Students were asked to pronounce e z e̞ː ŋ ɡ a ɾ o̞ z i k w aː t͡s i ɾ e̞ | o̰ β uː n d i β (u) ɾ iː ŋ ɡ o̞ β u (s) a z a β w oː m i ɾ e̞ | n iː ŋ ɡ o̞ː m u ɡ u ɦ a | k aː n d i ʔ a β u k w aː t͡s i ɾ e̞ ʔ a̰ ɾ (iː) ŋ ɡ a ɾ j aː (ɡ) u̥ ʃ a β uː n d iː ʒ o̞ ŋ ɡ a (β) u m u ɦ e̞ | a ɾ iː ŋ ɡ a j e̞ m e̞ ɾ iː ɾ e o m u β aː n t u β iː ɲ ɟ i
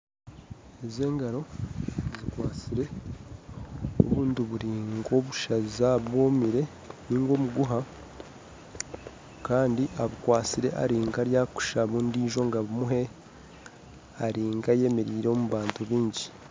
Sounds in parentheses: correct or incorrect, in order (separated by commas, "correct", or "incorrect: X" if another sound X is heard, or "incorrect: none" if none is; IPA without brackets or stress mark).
correct, incorrect: ʃ, correct, incorrect: k, correct